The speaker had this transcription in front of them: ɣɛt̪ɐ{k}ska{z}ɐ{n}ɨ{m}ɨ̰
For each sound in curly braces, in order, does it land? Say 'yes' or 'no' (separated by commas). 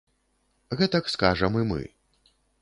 yes, no, no, yes